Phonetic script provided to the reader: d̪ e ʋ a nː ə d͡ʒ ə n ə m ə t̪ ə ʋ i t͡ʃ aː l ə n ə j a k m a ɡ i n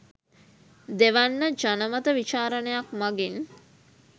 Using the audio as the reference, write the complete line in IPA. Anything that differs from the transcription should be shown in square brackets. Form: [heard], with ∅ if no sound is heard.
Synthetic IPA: d̪ e ʋ a nː ə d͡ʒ [a] n ə m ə t̪ ə ʋ i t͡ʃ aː [ɾ] ə n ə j a k m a ɡ i n